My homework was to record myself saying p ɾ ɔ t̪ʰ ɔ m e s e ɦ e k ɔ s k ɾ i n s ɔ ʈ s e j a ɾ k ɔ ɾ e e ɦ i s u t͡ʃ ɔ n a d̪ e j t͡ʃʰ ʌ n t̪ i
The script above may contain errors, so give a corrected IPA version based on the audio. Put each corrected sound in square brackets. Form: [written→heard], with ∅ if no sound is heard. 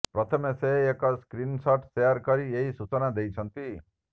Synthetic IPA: p ɾ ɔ t̪ʰ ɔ m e s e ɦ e k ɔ s k ɾ i n s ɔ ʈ s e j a ɾ k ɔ ɾ [e→i] e ɦ i s u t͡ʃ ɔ n a d̪ e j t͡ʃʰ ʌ n t̪ i